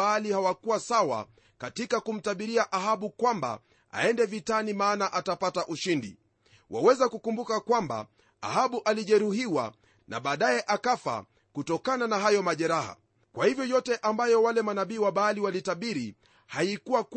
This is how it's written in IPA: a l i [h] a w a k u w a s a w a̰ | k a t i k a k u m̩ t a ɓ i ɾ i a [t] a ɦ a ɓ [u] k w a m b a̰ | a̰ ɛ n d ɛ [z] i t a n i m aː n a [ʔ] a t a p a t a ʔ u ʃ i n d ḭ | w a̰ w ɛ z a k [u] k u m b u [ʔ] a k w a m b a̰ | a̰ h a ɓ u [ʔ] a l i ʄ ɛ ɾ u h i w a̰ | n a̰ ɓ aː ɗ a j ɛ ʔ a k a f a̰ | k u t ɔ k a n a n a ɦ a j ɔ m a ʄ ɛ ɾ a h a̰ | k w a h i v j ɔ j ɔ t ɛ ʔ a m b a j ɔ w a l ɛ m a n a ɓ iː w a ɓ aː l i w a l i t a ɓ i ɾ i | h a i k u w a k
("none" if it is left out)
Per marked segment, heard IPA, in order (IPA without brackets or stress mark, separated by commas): h, ʔ, u, v, ʔ, u, k, ʔ